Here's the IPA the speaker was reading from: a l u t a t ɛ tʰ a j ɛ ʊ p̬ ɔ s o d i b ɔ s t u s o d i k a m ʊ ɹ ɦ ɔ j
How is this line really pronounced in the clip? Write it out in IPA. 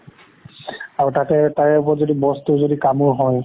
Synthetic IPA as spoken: a ɹ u t a t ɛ t a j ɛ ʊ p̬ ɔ z o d i b ɔ s t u z o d i k a m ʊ ɹ ɦ ɔ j